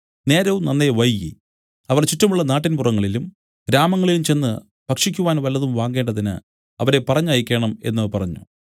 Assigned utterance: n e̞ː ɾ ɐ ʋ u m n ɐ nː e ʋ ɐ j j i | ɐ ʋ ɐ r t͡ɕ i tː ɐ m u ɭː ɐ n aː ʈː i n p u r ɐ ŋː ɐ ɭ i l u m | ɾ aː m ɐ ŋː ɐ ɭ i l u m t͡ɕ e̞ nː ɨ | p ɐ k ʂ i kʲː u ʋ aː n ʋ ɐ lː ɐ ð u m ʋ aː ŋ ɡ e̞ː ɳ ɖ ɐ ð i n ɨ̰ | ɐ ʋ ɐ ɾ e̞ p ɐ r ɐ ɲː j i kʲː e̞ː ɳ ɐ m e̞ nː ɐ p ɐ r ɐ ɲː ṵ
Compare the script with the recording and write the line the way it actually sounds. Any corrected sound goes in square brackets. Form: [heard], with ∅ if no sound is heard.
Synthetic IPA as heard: n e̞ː ɾ ɐ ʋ u m n ɐ nː e ʋ ɐ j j i | ɐ ʋ ɐ r t͡ɕ i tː ɐ m u ɭː ɐ n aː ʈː i n p u r ɐ ŋː ɐ ɭ i l u m | ɾ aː m ɐ ŋː ɐ ɭ i l u m t͡ɕ e̞ nː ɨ | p ɐ k ʂ i kʲː u ʋ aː n ʋ ɐ lː ɐ ð u m ʋ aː ŋ ɡ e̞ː ɳ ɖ ɐ ð i n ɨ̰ | ɐ ʋ ɐ ɾ e̞ p ɐ r ɐ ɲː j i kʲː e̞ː ɳ ɐ m e̞ nː ɐ p ɐ r ɐ ɲː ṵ